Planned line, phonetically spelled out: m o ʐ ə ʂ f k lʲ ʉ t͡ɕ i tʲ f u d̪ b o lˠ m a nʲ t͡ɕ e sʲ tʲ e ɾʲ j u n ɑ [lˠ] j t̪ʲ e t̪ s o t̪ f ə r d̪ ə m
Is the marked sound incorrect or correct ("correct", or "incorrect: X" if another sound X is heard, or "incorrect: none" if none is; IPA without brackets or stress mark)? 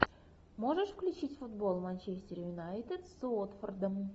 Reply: incorrect: none